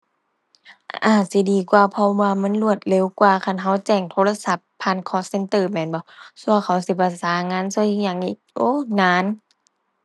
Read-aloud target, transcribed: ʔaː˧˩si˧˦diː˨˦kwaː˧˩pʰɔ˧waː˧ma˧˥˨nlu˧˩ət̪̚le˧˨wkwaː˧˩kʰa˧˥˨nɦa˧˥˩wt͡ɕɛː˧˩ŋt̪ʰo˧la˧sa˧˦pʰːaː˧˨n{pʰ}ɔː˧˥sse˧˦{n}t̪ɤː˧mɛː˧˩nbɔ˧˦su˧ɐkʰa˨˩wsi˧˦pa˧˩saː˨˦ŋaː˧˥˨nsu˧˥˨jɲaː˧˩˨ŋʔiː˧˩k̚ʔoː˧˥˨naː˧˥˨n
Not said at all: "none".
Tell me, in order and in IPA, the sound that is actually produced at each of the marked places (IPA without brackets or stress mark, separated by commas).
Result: kʰ, n